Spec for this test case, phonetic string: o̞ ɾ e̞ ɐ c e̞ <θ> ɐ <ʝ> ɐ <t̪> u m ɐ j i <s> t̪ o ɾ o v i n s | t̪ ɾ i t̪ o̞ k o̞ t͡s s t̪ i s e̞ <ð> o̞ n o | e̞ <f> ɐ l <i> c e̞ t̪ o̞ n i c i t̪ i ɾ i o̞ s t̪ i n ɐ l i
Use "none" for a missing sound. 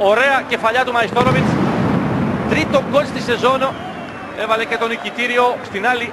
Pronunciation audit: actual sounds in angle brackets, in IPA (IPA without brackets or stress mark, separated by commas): f, ʎ, t̪, s, z, v, e